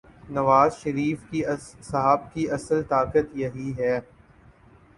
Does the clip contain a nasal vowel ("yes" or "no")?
no